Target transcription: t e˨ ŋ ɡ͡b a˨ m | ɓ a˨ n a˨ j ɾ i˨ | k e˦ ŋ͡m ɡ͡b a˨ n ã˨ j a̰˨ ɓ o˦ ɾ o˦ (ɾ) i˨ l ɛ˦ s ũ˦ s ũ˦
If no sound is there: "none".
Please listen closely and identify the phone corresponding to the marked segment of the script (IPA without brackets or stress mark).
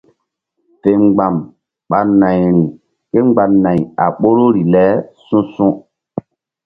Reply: ɾ